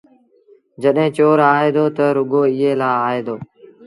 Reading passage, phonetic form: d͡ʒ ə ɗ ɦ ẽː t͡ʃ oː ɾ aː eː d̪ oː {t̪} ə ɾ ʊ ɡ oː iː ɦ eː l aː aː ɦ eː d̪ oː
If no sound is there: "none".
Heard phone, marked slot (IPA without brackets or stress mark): t̪